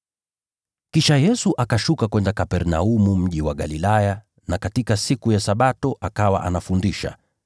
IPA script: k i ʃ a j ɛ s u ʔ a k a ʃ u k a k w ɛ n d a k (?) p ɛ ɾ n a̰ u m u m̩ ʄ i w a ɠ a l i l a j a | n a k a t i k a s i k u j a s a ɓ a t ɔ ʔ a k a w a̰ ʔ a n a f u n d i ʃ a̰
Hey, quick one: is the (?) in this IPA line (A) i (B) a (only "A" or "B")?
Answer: B